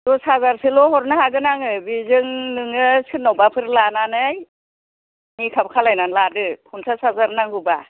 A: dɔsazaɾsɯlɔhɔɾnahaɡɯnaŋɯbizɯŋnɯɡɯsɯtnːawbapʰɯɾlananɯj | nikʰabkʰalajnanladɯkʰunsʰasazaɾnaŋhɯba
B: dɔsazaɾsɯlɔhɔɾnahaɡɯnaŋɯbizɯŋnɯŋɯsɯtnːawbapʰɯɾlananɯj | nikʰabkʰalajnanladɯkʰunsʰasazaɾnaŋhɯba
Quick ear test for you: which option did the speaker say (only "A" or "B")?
B